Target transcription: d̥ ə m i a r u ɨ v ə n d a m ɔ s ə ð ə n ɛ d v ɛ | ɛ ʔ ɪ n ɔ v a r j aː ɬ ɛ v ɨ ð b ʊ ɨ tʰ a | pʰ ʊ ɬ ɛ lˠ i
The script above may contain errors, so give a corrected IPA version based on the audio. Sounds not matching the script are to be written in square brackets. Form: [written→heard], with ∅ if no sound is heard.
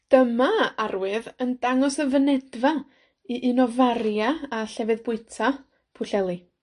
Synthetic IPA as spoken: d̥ ə m [i→a] a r [u→w] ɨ [v→ð] ə n d a [m→ŋ] ɔ s ə [ð→v] ə n ɛ d v [ɛ→a] | [ɛ→i] ʔ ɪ n ɔ v a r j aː ɬ ɛ v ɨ ð b ʊ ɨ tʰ a | pʰ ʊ ɬ ɛ lˠ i